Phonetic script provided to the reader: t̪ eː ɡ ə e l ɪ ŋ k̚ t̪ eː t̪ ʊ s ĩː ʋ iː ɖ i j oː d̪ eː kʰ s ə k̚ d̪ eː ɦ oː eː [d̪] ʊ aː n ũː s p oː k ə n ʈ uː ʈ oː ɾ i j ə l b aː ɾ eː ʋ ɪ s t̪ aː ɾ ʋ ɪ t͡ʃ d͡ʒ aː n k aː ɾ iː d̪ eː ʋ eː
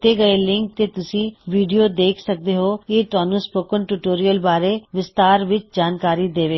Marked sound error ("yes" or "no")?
yes